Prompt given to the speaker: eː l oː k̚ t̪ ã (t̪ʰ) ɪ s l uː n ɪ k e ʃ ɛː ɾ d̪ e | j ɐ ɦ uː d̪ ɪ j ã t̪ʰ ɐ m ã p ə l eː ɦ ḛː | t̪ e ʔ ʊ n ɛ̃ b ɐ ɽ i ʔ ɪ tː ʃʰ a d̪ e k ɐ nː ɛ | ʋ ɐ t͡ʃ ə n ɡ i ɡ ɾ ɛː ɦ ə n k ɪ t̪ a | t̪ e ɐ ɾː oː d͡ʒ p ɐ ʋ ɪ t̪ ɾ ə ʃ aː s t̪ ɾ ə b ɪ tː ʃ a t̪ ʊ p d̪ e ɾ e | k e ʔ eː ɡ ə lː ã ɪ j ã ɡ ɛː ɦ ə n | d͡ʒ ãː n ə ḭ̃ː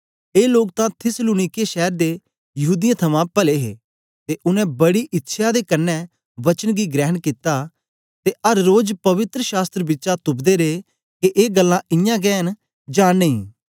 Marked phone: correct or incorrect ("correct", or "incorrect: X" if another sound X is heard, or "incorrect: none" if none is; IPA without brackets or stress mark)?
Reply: correct